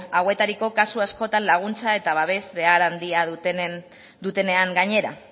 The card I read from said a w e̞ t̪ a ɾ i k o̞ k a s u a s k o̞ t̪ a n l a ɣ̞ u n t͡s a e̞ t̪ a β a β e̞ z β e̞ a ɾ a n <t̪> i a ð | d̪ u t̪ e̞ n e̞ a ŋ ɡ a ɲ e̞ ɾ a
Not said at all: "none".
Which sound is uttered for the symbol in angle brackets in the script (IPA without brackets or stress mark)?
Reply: d̪